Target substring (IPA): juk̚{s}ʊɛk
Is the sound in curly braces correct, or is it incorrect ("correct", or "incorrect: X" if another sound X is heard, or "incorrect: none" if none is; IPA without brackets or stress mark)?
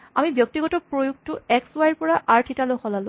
incorrect: t